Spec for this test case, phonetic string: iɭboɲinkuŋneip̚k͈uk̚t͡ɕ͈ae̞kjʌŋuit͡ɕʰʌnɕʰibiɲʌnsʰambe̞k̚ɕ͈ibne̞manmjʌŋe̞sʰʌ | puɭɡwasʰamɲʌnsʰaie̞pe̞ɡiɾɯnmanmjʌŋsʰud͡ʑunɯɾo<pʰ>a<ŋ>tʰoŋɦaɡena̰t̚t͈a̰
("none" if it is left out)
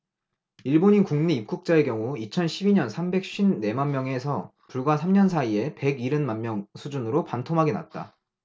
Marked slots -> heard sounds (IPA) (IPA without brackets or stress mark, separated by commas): p, n